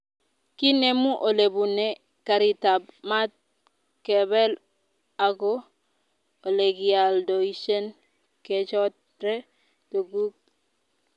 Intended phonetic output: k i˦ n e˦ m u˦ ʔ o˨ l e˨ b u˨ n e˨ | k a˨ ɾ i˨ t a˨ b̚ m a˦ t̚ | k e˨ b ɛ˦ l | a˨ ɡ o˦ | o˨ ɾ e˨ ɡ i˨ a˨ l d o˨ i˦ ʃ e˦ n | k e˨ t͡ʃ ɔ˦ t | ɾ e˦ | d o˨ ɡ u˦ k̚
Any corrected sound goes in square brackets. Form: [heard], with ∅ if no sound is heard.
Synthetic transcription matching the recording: k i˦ n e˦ m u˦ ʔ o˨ l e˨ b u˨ n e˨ | k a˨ ɾ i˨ t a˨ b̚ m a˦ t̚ | k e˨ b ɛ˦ l | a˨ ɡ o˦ | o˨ [l] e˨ ɡ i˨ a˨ l d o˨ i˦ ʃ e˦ n | k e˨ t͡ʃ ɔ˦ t | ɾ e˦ | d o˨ ɡ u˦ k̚